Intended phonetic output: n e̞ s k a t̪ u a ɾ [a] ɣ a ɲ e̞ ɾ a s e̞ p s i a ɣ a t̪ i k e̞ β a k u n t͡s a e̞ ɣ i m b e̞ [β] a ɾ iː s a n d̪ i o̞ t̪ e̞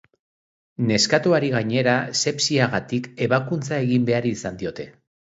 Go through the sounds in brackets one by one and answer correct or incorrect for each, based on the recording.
incorrect: i, incorrect: none

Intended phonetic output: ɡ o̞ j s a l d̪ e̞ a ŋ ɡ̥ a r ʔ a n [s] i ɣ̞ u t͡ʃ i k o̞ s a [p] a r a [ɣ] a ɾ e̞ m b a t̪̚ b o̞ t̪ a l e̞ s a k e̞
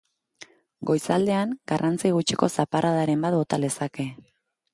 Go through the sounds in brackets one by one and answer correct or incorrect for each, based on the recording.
incorrect: t͡s, correct, incorrect: ð

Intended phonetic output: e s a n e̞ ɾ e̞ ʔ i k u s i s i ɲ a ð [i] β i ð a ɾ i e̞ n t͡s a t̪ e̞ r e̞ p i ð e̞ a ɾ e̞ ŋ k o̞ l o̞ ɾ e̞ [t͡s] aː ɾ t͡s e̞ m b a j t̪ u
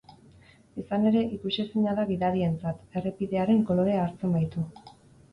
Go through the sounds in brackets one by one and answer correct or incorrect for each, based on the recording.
incorrect: a, incorrect: none

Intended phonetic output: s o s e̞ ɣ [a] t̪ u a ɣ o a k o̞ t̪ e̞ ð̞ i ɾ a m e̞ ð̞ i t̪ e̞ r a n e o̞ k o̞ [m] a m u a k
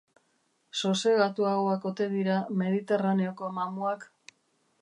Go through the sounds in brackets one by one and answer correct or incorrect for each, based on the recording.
correct, correct

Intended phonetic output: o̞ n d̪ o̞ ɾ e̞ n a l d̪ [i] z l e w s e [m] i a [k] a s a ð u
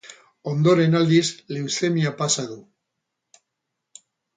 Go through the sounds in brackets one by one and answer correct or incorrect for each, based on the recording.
correct, correct, incorrect: p

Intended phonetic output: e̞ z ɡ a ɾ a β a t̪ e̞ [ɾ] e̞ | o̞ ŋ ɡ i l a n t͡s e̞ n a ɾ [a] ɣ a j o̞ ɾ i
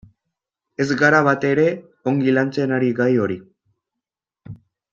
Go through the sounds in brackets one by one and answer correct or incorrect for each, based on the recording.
correct, incorrect: i

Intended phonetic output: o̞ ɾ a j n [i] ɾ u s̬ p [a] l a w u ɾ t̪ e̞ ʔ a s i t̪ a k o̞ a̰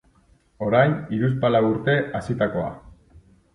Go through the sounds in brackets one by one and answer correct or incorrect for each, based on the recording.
correct, correct

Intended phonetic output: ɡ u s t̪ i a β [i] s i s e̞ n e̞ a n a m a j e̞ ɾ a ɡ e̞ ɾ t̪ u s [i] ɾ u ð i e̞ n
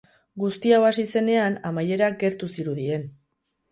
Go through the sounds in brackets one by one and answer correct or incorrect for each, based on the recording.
incorrect: a, correct

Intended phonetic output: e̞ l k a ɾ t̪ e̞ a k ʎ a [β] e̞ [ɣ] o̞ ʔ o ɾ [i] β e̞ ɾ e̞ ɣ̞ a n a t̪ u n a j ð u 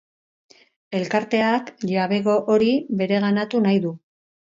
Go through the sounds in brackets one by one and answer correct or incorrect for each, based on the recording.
correct, correct, correct

